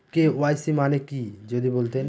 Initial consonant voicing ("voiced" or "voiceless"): voiceless